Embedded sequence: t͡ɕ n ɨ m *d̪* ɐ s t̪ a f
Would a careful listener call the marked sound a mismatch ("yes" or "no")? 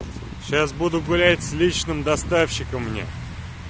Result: no